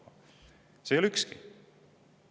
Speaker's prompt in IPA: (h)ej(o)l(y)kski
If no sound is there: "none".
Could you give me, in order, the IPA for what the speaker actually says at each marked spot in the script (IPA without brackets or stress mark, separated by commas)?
s, o, y